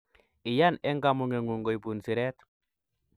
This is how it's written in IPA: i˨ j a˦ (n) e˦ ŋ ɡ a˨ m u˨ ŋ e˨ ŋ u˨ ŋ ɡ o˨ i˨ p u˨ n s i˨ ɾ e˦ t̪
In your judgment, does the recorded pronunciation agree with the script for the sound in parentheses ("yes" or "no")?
yes